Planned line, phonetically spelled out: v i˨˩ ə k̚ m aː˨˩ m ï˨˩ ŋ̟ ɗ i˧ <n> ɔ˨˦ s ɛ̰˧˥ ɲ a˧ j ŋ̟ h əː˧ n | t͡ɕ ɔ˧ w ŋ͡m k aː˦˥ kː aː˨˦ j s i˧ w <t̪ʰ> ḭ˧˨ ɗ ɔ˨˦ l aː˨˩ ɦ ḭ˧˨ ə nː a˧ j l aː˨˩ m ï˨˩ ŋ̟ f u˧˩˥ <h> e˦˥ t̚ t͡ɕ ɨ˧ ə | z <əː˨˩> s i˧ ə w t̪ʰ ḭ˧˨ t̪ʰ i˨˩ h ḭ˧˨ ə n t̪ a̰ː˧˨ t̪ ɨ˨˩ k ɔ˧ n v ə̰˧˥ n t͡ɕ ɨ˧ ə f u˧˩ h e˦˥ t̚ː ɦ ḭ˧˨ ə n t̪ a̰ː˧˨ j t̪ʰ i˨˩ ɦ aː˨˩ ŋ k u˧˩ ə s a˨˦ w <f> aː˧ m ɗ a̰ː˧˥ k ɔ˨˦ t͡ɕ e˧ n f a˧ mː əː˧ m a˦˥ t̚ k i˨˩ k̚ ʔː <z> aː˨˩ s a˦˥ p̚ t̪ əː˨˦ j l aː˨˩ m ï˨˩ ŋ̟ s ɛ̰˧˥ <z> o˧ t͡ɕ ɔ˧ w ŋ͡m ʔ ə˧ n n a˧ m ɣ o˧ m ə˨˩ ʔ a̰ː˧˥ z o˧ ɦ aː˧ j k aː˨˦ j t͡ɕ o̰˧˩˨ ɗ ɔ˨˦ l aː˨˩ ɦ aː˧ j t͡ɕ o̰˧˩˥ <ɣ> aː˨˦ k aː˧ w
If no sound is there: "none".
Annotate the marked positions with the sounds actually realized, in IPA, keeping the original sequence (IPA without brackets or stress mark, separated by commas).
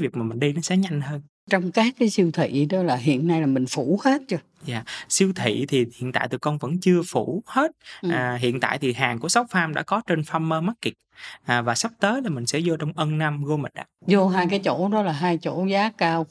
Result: n, t̪ʰ, h, aː˨˩, f, v, z, z